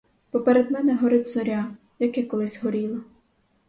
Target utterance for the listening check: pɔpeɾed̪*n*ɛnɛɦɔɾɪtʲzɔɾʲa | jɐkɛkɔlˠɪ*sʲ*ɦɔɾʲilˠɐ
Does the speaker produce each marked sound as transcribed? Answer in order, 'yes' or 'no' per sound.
no, yes

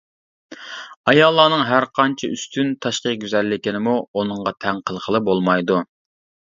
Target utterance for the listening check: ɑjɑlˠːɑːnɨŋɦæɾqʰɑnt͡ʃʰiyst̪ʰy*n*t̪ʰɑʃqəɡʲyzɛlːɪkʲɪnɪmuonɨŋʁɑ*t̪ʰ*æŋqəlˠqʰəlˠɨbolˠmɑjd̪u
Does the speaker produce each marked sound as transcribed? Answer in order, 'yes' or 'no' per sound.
yes, yes

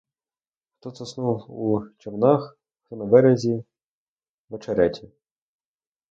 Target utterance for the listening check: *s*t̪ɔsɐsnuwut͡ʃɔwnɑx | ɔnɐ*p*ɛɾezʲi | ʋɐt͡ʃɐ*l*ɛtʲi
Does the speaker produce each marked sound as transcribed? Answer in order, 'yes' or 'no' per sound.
no, no, no

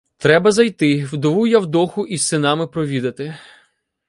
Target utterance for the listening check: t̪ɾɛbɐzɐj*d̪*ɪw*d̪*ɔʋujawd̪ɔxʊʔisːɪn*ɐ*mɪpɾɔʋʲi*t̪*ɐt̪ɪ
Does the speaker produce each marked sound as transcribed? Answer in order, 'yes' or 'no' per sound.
no, yes, no, no

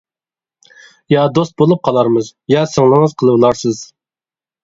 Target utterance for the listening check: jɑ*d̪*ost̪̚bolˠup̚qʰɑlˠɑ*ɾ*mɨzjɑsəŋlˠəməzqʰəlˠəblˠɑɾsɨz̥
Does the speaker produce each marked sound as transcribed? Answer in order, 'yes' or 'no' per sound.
yes, yes

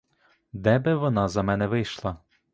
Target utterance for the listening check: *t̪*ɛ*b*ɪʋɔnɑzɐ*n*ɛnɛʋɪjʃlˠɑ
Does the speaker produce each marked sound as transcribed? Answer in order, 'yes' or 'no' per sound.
no, yes, no

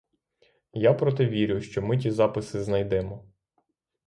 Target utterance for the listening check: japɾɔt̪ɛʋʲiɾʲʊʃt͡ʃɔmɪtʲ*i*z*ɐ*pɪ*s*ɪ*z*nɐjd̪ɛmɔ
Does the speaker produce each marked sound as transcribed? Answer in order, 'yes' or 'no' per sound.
yes, no, yes, yes

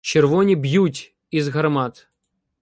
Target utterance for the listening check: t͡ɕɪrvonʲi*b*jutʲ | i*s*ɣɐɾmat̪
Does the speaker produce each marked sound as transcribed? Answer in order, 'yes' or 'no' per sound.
yes, no

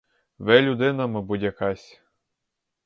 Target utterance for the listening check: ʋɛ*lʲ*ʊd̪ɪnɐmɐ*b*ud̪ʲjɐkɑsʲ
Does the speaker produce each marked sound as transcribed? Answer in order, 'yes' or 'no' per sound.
yes, yes

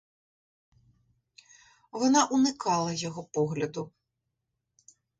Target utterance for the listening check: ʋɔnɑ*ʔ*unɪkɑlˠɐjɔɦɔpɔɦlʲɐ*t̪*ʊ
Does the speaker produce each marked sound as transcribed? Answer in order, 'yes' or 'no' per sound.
yes, no

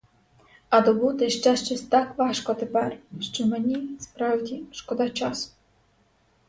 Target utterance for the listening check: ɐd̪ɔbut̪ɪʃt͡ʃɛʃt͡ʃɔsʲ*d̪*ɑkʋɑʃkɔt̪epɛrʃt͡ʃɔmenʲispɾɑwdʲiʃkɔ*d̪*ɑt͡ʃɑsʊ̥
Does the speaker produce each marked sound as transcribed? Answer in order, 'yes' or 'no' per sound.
no, yes

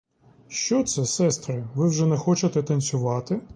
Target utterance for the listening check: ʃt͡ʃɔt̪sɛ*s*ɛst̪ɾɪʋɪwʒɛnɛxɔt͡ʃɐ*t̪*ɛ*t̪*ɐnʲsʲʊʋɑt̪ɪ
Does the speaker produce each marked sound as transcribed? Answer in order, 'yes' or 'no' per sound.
yes, yes, yes

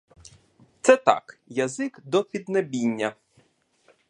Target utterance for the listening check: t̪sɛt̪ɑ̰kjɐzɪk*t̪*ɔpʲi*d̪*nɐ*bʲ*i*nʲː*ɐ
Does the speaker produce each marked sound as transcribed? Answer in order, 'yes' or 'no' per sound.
no, yes, yes, yes

